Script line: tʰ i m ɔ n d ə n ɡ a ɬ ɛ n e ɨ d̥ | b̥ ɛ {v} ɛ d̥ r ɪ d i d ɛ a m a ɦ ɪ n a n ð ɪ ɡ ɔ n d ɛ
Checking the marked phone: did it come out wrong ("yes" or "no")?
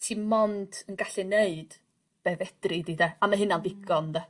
no